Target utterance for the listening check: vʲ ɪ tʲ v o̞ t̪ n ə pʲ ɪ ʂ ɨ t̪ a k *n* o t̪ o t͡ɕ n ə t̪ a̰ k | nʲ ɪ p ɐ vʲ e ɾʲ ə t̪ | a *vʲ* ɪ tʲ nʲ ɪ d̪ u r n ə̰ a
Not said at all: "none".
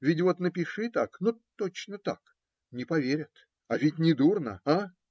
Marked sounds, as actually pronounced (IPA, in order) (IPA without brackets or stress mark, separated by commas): n, vʲ